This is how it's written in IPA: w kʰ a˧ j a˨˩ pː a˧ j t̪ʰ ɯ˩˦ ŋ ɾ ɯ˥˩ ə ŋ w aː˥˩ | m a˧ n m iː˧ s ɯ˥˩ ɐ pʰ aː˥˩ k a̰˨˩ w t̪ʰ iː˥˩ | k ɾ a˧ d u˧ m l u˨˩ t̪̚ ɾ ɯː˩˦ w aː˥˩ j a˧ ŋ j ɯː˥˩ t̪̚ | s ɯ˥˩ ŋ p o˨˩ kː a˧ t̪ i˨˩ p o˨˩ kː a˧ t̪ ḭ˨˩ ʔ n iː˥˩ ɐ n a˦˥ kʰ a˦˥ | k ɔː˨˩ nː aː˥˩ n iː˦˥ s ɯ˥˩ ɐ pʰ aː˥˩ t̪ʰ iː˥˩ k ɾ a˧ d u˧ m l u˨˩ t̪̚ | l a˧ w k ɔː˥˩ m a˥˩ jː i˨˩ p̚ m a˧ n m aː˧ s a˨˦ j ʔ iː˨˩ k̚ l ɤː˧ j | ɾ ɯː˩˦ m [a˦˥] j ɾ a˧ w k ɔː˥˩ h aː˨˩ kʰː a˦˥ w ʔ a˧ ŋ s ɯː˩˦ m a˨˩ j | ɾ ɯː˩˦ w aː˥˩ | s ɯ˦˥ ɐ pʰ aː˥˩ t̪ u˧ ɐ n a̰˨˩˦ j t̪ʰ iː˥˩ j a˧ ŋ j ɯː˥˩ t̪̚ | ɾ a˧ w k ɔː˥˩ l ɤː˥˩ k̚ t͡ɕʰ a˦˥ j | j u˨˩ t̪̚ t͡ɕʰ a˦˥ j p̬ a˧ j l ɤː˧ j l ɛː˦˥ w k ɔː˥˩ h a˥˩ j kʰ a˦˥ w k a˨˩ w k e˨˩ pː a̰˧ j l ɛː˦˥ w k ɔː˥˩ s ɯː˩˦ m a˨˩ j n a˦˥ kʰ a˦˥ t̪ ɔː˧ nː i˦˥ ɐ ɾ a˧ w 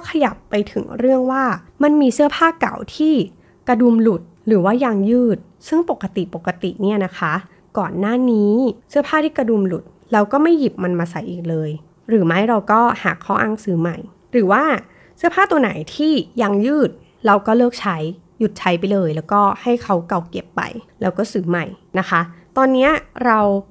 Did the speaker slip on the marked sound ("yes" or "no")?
no